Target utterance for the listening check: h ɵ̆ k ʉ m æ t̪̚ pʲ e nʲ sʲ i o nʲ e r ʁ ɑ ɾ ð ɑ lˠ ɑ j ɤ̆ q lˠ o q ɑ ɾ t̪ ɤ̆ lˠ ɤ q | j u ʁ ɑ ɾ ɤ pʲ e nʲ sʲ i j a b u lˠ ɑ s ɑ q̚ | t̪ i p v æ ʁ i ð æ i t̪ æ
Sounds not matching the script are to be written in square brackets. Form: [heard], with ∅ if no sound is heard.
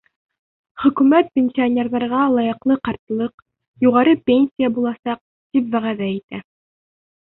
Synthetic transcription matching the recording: [χ] ɵ̆ k ʉ m æ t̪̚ pʲ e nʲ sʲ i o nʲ e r [ð] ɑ ɾ [ʁ] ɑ lˠ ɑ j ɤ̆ q lˠ [ɤ] q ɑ ɾ t̪ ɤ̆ lˠ ɤ q | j u ʁ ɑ ɾ ɤ pʲ e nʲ sʲ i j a b u lˠ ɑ s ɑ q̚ | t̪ i p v æ ʁ [æ] ð æ i t̪ æ